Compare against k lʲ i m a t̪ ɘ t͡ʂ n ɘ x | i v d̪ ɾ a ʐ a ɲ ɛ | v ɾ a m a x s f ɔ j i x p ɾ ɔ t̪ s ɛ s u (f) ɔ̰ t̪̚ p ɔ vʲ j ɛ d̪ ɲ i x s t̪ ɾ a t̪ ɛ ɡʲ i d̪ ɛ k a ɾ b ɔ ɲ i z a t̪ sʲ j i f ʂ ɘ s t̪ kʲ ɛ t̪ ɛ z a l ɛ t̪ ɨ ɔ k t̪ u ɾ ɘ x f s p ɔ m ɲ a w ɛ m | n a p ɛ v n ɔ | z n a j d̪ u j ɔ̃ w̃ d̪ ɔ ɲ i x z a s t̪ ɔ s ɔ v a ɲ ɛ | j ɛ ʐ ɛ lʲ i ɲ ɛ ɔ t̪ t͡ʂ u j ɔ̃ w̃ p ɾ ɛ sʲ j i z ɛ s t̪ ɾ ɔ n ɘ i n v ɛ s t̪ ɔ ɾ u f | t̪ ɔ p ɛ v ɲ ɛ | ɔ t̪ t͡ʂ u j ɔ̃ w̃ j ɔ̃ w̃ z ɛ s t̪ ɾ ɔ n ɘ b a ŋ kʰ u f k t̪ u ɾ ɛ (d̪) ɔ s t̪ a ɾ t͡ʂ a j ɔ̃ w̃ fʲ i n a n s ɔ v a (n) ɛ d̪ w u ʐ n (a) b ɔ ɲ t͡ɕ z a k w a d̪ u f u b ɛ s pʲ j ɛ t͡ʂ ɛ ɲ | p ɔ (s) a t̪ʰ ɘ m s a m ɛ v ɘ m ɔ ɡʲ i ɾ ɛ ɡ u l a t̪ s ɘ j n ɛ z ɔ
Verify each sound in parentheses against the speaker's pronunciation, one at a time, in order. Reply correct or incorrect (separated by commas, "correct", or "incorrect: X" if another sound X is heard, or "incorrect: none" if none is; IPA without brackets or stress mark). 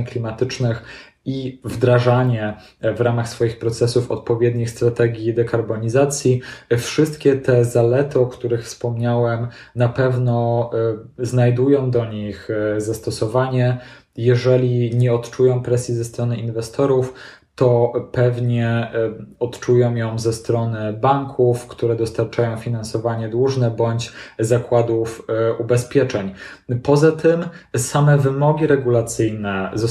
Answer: correct, correct, incorrect: ɲ, incorrect: ɛ, incorrect: z